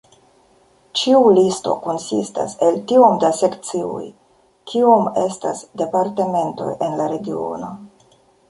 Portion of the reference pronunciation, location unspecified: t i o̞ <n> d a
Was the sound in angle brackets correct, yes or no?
no